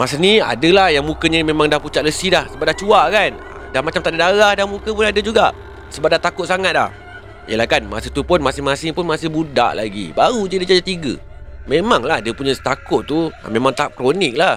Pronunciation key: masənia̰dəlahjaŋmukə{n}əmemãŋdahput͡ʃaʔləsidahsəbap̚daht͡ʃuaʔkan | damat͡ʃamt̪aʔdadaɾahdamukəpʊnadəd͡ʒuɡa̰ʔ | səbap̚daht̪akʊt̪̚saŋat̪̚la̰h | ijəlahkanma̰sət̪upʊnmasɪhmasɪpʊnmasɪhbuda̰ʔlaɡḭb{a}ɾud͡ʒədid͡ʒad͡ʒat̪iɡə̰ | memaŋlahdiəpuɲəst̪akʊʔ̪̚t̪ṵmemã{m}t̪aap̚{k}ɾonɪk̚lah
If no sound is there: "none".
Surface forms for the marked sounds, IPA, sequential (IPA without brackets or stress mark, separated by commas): ɲ, a, ŋ, k